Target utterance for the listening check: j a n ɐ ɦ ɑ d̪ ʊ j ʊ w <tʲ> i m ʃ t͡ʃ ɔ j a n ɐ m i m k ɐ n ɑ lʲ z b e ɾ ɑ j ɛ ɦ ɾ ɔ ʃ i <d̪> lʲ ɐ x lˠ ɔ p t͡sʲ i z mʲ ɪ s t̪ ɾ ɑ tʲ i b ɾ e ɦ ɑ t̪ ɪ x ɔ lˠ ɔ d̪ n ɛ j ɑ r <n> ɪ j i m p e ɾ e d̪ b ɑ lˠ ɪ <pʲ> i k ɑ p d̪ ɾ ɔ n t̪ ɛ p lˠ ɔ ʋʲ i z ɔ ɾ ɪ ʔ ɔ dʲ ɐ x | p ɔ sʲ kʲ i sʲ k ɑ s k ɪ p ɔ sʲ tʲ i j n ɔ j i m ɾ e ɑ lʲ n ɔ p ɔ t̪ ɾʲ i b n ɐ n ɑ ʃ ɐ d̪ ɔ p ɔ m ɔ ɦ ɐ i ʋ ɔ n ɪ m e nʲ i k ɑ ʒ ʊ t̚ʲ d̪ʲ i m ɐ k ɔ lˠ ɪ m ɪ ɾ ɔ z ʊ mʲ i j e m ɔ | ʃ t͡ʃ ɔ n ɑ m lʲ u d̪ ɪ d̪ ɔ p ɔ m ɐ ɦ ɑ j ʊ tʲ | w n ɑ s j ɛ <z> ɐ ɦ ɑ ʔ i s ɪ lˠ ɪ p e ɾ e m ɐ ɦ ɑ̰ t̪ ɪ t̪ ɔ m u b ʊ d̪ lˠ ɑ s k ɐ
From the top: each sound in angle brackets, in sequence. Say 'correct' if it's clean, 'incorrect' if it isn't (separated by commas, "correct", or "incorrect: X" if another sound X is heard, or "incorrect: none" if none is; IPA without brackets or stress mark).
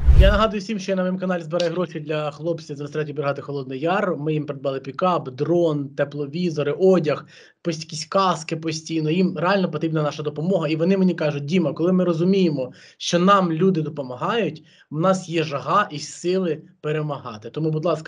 incorrect: sʲ, correct, incorrect: m, correct, incorrect: ʒ